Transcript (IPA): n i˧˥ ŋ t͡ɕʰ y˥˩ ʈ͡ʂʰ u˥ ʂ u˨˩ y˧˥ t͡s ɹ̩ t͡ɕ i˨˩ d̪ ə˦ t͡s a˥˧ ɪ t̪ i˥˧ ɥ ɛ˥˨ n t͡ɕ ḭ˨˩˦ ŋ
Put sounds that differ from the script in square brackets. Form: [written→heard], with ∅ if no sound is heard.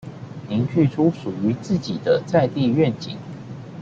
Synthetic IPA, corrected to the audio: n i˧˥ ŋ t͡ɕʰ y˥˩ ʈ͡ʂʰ u˥ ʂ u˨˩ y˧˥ t͡s ɹ̩ t͡ɕ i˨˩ d̪ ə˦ t͡s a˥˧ ɪ t̪ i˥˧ ɥ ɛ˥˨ n t͡ɕ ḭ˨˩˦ ŋ